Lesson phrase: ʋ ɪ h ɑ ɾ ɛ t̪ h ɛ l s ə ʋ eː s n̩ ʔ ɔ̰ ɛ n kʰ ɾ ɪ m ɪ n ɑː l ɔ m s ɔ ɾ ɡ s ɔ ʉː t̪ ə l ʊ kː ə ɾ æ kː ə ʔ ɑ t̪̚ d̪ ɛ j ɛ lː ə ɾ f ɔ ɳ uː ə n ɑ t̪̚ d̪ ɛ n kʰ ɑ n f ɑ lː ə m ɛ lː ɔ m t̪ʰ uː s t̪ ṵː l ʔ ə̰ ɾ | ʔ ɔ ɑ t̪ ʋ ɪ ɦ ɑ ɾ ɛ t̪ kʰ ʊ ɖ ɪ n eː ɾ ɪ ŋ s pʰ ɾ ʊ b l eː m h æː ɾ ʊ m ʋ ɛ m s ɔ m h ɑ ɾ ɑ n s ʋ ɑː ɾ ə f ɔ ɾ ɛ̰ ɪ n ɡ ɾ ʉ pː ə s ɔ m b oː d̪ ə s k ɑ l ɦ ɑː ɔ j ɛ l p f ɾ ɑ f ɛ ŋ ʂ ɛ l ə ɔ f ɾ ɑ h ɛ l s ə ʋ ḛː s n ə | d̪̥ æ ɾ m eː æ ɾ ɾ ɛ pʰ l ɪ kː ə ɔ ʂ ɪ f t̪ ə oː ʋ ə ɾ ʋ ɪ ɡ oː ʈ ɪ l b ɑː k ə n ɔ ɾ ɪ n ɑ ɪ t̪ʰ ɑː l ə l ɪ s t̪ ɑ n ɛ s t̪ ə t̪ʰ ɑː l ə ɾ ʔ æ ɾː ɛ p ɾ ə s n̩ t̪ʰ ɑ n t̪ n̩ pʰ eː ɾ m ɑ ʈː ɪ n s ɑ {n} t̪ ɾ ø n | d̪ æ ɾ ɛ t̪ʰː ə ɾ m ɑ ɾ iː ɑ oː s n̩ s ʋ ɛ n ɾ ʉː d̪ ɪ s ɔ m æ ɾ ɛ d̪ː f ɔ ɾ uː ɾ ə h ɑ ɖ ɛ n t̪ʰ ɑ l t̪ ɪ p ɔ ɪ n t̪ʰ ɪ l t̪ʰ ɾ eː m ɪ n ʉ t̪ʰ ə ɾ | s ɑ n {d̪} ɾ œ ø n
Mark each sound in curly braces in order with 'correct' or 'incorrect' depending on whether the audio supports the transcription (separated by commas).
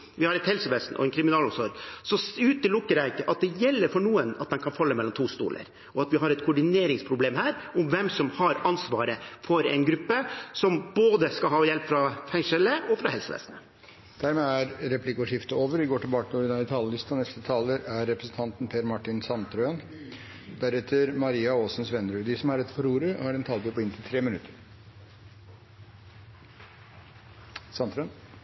correct, incorrect